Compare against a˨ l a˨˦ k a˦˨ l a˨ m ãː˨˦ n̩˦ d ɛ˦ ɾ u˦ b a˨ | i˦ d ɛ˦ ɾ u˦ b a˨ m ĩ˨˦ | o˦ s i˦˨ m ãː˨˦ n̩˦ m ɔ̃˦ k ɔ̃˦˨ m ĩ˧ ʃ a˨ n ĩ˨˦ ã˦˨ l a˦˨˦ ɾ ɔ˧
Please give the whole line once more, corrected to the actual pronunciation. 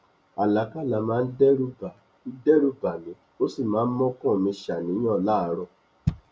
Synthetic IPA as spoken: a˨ l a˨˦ k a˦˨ l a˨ m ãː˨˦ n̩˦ d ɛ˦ ɾ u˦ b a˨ | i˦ d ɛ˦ ɾ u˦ b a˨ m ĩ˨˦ | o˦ s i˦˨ m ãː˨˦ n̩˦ m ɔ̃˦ k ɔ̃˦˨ m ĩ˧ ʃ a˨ n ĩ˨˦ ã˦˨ l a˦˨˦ ɾ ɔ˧

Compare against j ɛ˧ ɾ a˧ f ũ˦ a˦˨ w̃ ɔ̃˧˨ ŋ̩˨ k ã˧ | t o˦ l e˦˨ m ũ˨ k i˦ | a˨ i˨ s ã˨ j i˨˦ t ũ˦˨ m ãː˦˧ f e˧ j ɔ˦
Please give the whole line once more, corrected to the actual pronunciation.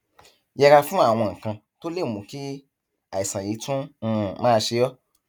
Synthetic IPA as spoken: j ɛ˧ ɾ a˧ f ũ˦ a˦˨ w̃ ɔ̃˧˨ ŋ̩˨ k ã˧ | t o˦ l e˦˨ m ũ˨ k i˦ | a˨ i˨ s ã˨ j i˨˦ t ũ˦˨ m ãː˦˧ ʃ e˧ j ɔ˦

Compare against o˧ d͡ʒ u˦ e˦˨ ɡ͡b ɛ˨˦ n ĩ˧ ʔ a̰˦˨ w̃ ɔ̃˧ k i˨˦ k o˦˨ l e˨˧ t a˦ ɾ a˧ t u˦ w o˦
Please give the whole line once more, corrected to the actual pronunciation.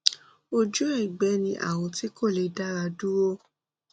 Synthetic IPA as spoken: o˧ d͡ʒ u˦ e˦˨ ɡ͡b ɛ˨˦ n ĩ˧ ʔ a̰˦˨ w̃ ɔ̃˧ t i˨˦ k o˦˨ l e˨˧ d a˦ ɾ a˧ d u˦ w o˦

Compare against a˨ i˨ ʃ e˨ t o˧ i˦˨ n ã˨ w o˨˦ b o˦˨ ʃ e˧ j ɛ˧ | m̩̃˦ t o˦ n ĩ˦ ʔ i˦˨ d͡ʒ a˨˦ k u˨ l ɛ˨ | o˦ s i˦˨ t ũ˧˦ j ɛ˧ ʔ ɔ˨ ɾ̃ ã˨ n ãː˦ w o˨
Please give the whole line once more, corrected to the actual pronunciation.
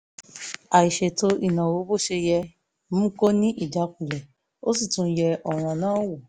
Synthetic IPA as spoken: a˨ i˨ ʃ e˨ t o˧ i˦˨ n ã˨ w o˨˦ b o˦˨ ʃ e˧ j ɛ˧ | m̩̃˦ k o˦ n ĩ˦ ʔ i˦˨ d͡ʒ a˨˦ k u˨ l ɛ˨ | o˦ s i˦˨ t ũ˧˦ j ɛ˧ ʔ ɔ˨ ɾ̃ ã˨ n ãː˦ w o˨

